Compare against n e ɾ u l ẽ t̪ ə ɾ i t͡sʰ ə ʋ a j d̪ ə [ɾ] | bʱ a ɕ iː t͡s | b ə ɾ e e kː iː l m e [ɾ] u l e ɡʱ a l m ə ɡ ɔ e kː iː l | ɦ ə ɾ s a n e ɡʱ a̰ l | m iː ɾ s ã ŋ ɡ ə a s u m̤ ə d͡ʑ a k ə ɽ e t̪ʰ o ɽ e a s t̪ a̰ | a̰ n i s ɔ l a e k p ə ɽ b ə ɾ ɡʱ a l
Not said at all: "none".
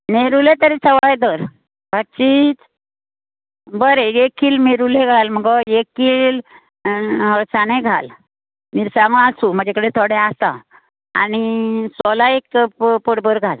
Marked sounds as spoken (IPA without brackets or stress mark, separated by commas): ɾ, ɾ